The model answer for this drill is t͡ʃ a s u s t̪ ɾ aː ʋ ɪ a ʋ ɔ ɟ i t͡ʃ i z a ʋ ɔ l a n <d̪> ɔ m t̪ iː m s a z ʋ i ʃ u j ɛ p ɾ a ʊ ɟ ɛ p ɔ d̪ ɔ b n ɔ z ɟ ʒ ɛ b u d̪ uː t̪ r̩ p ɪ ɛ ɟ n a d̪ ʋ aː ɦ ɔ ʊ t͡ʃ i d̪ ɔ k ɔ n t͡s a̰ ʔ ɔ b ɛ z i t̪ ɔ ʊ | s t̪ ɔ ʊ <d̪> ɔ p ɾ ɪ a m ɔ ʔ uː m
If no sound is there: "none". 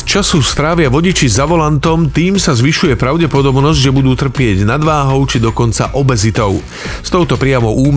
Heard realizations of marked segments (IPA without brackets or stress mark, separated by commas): t̪, t̪